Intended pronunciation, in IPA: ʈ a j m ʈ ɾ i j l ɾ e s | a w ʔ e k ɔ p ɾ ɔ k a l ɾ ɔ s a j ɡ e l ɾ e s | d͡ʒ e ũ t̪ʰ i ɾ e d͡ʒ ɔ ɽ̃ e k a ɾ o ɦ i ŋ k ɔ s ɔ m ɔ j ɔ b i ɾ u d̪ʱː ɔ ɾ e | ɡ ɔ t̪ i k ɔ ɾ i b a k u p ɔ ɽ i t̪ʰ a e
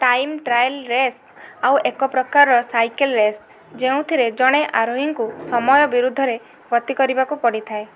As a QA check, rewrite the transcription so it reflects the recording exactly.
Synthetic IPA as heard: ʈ a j m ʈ ɾ a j l ɾ e s | a w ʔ e k ɔ p ɾ ɔ k a ɾ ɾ ɔ s a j k e l ɾ e s | d͡ʒ e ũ t̪ʰ i ɾ e d͡ʒ ɔ ɽ̃ e ʔ a ɾ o ɦ i ŋ k u s ɔ m ɔ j ɔ b i ɾ u d̪ʱː ɔ ɾ e | ɡ ɔ t̪ i k ɔ ɾ i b a k u p ɔ ɽ i t̪ʰ a e